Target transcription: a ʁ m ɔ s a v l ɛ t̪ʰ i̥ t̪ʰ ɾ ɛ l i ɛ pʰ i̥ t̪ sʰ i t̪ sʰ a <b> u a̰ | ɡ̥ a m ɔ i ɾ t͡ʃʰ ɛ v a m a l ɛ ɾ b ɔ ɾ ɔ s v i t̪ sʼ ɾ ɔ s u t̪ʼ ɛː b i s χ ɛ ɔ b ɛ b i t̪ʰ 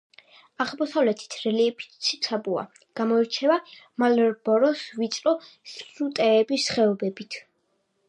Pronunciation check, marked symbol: correct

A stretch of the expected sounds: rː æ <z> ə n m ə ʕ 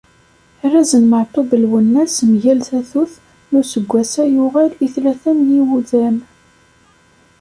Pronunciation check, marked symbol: correct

